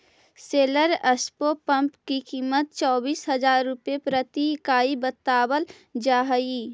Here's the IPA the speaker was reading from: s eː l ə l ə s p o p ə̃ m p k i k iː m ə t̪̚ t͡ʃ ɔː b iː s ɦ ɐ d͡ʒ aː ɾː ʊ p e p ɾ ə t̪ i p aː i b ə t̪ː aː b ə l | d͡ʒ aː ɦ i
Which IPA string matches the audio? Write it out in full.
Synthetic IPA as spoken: s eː l ə ɾ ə s p o p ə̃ m p k i k iː m ə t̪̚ t͡ʃ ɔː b iː s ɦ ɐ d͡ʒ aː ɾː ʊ p e p ɾ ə t̪ i k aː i b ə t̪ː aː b ə l | d͡ʒ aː ɦ i